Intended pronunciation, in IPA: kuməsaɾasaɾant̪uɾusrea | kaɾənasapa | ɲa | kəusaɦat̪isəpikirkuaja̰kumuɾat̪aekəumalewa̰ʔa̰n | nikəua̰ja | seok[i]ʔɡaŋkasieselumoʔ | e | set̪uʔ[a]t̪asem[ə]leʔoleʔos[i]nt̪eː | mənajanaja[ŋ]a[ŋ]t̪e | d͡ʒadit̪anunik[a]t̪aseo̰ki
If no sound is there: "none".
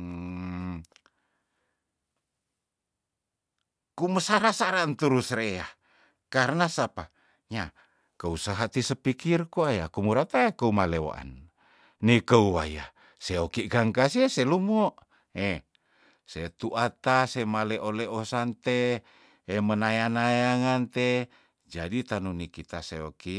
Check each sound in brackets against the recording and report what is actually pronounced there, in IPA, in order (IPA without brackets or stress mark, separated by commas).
i, a, a, a, ŋ, n, i